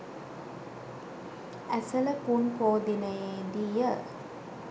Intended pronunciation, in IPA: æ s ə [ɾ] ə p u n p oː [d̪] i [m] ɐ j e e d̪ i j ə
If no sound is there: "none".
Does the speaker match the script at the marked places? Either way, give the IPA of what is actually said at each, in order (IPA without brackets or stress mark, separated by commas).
l, d̪, n